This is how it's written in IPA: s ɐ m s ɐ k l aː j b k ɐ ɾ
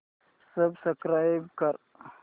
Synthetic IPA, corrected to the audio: s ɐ b s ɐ k ɾ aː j b k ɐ ɾ